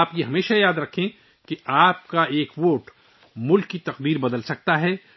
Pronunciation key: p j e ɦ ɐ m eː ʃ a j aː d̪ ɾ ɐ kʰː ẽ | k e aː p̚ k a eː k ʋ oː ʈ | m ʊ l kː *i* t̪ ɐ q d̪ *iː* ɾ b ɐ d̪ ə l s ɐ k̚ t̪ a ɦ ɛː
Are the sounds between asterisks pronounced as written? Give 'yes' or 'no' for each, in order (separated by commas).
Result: yes, yes